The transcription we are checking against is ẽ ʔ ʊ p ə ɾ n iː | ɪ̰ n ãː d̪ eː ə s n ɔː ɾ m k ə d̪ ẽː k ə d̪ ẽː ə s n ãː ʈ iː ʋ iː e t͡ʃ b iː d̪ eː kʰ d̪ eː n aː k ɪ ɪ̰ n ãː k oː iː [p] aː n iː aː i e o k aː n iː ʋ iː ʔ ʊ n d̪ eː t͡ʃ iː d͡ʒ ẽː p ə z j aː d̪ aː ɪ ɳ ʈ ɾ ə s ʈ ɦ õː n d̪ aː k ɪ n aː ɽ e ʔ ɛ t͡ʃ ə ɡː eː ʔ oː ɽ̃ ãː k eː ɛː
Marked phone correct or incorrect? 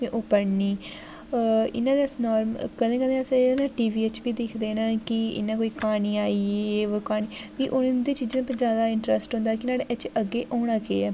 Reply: incorrect